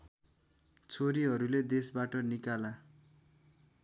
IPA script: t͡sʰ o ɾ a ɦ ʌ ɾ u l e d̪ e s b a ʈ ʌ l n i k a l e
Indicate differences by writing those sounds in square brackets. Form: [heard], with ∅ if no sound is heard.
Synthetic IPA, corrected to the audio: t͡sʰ o ɾ [i] ɦ ʌ ɾ u l e d̪ e s b a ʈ ʌ [∅] n i k a l [a]

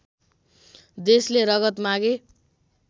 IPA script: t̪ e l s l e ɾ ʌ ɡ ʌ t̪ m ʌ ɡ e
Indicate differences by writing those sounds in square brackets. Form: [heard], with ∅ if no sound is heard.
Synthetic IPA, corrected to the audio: [d̪] e [∅] s l e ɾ ʌ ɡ ʌ t̪ m [a] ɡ e

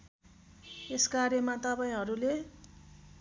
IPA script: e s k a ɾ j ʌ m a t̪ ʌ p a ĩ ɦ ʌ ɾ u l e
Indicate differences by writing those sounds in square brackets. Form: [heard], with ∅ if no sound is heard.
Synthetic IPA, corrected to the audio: e s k a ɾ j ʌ m a t̪ ʌ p a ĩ ɦ ʌ ɾ u l e

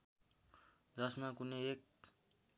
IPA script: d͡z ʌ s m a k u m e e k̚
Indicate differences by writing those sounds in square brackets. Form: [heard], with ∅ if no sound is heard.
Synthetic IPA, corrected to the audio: d͡z ʌ s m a k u [n] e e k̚

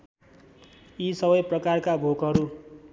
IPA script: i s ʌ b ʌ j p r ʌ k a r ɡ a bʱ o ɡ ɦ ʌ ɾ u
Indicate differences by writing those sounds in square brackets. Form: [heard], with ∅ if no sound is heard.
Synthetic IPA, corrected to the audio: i s ʌ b ʌ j p r ʌ k a r [k] a bʱ o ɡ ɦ ʌ ɾ u

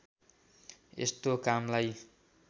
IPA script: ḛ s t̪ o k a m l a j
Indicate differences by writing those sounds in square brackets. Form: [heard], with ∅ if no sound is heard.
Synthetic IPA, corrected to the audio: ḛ s t̪ o k a m l a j

